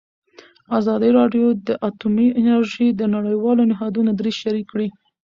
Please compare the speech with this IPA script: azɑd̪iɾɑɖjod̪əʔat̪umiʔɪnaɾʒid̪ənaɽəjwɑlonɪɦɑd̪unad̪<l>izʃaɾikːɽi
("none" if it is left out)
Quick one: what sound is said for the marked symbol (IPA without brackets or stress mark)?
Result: ɾ